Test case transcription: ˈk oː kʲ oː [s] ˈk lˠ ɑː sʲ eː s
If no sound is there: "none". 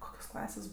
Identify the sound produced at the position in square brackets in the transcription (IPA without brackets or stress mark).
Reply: s